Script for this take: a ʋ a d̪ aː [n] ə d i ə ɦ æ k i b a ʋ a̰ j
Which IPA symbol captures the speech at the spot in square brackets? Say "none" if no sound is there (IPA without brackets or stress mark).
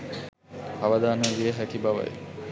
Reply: n